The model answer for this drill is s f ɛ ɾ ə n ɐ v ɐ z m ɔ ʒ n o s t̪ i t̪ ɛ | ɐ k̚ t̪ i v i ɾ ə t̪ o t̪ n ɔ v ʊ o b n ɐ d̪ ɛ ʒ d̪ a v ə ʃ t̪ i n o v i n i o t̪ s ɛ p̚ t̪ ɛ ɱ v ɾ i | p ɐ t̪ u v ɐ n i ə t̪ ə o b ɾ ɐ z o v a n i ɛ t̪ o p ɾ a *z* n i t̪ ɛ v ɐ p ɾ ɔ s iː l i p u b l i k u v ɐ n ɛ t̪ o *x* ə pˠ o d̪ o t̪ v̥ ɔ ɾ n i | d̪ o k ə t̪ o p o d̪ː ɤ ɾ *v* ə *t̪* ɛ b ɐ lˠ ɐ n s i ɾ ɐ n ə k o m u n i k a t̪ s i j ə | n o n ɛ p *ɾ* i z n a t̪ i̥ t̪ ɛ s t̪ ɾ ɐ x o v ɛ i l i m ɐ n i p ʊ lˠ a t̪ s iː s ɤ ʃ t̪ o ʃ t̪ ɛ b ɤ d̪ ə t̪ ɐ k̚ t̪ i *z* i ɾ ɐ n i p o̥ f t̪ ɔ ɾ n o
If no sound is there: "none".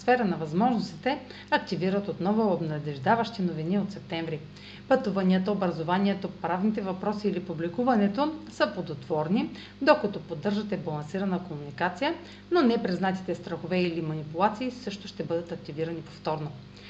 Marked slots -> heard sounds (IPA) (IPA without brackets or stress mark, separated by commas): v, s, ʒ, t̪, ɾ, v